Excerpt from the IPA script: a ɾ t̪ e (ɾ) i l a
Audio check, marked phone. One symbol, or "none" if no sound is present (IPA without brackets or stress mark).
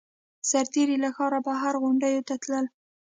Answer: ɾ